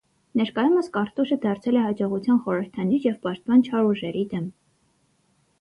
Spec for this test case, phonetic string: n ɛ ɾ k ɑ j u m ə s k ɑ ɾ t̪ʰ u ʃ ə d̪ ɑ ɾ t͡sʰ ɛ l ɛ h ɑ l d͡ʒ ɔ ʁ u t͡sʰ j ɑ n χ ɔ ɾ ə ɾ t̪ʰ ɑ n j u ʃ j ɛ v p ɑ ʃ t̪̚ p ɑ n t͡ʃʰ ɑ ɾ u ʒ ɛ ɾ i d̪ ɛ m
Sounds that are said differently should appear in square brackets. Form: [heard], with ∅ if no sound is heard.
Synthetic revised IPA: n ɛ ɾ k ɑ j u m ə s k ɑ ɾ [t̪] u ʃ ə d̪ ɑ ɾ t͡sʰ ɛ l ɛ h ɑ [∅] d͡ʒ ɔ ʁ u t͡sʰ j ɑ n χ ɔ ɾ ə ɾ t̪ʰ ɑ n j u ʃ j ɛ v p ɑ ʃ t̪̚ p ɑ n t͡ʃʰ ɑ ɾ u ʒ ɛ ɾ i d̪ ɛ m